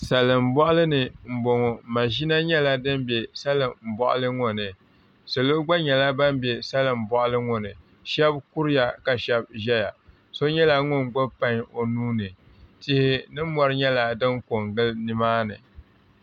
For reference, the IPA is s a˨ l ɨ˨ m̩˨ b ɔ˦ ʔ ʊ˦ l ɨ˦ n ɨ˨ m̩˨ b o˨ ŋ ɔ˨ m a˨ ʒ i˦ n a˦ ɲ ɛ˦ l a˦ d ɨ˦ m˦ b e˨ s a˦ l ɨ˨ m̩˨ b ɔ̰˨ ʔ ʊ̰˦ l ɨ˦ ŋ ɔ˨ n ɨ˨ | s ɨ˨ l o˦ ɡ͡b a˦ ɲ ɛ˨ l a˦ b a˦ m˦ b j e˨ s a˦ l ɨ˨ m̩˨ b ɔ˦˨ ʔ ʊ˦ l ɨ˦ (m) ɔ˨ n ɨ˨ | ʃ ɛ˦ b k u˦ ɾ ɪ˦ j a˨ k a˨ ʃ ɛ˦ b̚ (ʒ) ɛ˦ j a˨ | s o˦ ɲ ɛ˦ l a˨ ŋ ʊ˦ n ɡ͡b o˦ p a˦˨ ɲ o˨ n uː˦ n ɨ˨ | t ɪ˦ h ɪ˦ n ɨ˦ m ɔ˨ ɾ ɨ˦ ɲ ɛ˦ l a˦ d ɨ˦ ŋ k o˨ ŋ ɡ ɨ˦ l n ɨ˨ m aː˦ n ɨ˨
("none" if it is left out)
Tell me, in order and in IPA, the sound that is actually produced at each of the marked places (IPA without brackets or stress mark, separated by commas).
ŋ, ʒ